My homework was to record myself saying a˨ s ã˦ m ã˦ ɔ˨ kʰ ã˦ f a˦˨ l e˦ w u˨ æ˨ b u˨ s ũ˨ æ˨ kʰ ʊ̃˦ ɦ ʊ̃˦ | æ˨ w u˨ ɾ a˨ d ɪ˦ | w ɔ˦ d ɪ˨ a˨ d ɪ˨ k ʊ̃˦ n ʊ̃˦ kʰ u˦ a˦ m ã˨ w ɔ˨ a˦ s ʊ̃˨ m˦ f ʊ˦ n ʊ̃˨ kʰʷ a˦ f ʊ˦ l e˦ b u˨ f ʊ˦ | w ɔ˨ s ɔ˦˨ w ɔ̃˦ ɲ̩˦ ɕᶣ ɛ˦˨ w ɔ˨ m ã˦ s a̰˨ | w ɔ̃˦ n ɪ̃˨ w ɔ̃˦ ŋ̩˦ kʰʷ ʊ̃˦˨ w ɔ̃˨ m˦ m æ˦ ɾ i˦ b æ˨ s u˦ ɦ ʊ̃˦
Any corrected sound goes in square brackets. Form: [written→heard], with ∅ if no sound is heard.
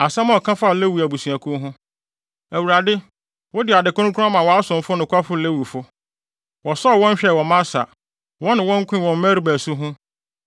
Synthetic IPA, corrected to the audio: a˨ s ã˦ m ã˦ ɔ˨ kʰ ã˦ f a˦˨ l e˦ w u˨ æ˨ b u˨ s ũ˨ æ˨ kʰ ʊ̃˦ ɦ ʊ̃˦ | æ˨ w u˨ ɾ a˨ d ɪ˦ | w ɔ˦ d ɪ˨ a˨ d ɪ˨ k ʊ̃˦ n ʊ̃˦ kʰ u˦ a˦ m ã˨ w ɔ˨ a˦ s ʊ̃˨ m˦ f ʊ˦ n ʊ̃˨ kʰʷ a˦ f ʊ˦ l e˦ [b→w] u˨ f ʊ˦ | w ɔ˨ s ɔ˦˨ w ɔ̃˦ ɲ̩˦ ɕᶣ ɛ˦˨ w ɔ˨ m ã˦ s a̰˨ | w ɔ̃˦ n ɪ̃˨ w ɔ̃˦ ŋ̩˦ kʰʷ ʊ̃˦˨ w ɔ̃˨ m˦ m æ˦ ɾ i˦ b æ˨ s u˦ ɦ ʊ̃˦